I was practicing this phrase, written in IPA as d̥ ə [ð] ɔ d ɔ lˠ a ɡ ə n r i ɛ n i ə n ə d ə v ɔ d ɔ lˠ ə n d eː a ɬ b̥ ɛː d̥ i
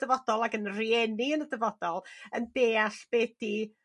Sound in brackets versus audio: incorrect: v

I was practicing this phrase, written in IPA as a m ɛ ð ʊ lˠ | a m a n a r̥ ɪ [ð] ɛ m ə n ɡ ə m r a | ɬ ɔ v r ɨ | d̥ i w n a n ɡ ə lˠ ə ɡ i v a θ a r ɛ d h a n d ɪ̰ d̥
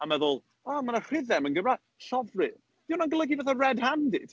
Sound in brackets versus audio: correct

